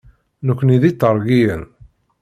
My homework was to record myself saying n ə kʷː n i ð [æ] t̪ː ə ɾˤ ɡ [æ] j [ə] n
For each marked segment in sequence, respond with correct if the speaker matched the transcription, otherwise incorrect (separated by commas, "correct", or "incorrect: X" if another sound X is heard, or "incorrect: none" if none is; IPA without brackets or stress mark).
incorrect: i, incorrect: i, correct